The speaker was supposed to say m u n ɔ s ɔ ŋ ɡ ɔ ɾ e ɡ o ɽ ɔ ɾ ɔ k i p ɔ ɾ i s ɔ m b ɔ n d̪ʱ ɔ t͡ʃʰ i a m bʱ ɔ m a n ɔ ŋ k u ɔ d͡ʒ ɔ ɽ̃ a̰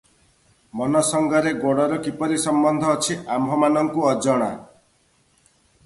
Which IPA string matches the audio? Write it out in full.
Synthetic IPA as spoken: m ɔ n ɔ s ɔ ŋ ɡ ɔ ɾ e ɡ o ɽ ɔ ɾ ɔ k i p ɔ ɾ i s ɔ m b ɔ n d̪ʱ ɔː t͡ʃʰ i a m bʱ ɔ m a n ɔ ŋ k u ɔ d͡ʒ ɔ ɽ̃ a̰